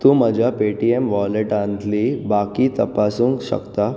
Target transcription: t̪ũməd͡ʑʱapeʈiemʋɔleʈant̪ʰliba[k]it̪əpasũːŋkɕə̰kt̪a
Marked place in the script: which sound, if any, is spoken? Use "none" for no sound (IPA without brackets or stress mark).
k